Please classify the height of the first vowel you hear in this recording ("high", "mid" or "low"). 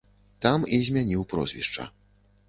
low